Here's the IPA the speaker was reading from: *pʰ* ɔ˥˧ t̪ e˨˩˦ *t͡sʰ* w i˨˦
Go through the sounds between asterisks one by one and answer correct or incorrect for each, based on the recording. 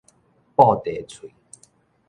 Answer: incorrect: p, correct

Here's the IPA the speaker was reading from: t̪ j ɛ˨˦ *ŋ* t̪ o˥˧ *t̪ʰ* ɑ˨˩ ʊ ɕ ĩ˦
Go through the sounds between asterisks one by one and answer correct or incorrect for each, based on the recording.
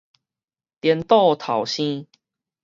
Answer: incorrect: n, correct

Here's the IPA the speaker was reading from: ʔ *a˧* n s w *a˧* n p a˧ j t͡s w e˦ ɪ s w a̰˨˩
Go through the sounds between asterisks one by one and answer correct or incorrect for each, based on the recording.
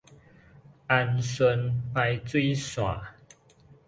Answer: correct, incorrect: ə˧

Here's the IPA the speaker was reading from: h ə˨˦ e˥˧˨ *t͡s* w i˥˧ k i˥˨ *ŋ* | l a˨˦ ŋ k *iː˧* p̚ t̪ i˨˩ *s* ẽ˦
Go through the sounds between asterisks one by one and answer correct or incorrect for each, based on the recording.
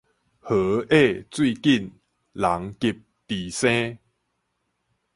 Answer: correct, incorrect: n, incorrect: i˧, correct

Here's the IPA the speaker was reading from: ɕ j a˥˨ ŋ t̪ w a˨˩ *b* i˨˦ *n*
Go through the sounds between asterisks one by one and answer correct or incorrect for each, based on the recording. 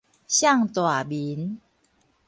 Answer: correct, correct

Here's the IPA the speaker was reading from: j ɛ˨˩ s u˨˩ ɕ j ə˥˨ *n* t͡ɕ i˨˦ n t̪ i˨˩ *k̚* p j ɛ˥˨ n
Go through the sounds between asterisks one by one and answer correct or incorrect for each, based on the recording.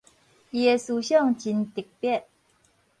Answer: incorrect: ŋ, correct

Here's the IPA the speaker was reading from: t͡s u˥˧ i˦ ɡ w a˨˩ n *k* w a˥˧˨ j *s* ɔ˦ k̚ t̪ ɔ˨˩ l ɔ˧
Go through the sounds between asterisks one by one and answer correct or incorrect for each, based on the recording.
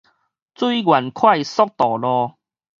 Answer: incorrect: kʰ, correct

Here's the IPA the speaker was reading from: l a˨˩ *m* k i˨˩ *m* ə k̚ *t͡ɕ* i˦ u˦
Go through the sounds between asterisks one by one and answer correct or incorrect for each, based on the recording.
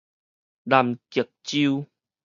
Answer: correct, incorrect: none, correct

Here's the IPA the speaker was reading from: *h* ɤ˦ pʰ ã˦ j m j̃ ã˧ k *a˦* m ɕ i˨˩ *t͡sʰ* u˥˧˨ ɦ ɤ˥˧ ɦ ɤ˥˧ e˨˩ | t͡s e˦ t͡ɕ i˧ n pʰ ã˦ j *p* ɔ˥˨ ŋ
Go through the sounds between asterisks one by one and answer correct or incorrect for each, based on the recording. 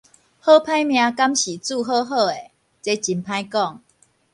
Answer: correct, correct, incorrect: t͡s, incorrect: k

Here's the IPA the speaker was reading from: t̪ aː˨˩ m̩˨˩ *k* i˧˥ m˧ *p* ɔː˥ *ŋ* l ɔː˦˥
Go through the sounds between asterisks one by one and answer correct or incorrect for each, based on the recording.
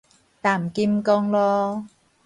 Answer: correct, incorrect: k, correct

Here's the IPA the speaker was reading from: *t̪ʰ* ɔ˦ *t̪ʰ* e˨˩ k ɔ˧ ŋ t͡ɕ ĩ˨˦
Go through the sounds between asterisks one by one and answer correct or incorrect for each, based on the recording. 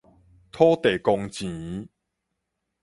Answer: correct, incorrect: t̪

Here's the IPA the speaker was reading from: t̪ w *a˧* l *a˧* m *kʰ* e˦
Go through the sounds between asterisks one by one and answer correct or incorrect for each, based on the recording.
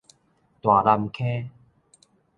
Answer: incorrect: a˨˩, correct, correct

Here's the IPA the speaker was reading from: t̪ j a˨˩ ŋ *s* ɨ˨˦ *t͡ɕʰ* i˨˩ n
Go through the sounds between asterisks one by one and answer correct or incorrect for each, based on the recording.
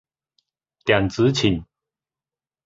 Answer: incorrect: t͡s, correct

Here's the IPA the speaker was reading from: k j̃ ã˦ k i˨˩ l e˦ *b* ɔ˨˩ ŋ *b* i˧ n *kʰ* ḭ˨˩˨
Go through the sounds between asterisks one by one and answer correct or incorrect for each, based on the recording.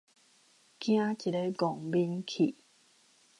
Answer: incorrect: ɡ, correct, correct

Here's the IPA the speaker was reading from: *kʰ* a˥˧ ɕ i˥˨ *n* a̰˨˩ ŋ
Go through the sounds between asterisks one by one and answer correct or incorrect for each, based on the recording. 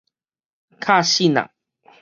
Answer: correct, correct

